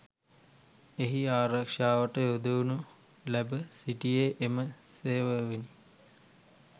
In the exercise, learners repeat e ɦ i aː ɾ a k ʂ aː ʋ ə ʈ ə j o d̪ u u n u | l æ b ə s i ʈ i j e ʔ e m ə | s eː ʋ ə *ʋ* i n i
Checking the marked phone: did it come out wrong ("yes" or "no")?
no